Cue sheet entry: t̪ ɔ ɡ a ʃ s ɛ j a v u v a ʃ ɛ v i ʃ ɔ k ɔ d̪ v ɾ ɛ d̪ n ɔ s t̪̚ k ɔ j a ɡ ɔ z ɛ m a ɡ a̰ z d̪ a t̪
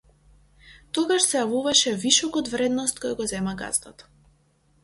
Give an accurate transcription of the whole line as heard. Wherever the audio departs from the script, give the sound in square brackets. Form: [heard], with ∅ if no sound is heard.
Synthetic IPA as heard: t̪ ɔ ɡ a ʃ s ɛ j a v u v a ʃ ɛ v i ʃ ɔ k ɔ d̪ v ɾ ɛ d̪ n ɔ s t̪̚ k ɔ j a ɡ ɔ z ɛ m a ɡ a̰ z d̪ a t̪